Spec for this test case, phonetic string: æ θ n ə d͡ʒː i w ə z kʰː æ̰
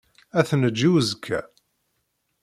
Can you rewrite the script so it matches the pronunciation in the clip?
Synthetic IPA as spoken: æ θ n ə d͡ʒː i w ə z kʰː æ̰